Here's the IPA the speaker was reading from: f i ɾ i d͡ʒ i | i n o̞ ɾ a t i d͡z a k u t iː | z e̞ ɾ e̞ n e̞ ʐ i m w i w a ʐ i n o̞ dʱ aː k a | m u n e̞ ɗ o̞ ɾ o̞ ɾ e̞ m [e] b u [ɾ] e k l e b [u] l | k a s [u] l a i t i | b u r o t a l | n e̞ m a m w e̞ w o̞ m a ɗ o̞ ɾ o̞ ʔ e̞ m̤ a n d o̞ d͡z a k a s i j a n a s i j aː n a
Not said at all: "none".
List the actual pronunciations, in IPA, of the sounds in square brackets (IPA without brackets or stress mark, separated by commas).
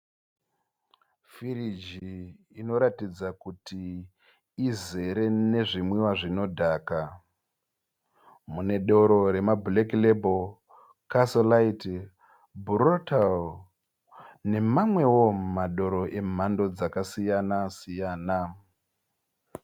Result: a, l, o, o